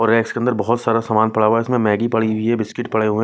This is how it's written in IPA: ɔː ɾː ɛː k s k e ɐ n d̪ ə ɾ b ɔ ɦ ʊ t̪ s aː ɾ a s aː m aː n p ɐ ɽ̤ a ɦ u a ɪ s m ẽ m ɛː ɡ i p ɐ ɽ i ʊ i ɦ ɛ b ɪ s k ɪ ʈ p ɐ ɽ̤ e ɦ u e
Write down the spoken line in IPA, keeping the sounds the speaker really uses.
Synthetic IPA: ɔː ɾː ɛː k s k e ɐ n d̪ ə ɾ b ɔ ɦ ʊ t̪ s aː ɾ a s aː m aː n p ɐ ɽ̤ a ɦ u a ɪ s m ẽ m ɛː ɡ i p ɐ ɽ i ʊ i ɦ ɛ b ɪ s k ɪ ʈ p ɐ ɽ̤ e ɦ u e